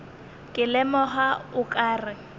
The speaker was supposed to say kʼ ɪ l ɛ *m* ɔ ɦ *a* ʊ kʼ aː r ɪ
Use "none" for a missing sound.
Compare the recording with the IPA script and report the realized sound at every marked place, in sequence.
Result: m, a

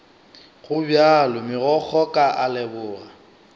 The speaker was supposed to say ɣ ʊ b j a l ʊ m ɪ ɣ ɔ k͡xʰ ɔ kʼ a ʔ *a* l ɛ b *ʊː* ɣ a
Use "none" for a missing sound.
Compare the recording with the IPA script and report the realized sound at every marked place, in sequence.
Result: a, ʊː

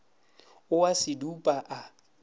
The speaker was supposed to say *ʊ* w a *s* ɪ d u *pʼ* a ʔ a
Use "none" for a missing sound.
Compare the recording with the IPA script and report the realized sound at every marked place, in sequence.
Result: ʊ, s, pʼ

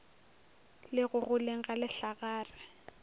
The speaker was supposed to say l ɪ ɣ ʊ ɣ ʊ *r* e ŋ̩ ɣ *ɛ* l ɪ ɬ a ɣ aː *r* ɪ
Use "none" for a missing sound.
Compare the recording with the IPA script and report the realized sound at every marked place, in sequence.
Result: l, a, r

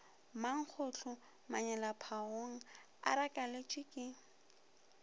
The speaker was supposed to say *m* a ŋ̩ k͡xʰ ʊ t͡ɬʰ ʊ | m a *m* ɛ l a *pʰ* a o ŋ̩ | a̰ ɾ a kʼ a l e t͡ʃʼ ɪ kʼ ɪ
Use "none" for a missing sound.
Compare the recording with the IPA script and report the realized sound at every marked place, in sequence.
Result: m, ɲ, pʰ

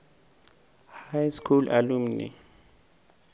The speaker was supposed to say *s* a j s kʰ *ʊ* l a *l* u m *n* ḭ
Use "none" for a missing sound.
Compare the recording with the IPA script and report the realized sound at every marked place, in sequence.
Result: h, u, l, n

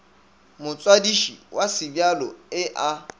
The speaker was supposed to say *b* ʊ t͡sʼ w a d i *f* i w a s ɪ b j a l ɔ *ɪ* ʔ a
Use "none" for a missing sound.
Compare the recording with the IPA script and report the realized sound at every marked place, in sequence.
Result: m, ʃ, ɪ

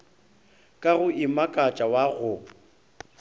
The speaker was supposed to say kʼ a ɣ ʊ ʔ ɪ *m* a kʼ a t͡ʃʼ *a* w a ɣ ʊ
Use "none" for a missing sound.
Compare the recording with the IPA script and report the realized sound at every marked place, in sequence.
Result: m, a

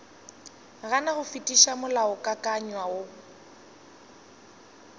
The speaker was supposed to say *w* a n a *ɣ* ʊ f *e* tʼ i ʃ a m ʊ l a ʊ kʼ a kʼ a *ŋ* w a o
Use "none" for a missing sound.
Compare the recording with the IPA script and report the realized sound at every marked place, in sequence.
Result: ɣ, ɣ, i, ɲ

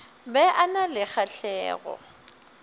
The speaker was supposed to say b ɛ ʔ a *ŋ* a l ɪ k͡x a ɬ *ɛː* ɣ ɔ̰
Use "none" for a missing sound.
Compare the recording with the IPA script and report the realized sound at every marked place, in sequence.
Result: n, ɛː

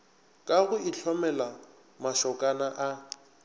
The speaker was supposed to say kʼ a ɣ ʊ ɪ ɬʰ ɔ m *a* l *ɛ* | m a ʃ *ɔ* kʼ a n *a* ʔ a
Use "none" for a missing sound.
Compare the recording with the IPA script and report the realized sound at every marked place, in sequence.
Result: ɛ, a, ɔ, a

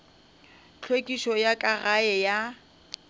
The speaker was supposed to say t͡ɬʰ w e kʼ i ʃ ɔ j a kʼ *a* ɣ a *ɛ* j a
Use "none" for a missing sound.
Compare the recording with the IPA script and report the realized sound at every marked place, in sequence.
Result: a, ɛ

